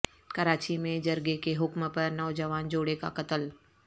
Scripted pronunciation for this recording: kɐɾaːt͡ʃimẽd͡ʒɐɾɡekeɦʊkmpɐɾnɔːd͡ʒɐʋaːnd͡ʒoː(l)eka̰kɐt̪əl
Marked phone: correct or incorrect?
incorrect